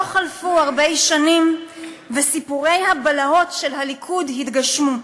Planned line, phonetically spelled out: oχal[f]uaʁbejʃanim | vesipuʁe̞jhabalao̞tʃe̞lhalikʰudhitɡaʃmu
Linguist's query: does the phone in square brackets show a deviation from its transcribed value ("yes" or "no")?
no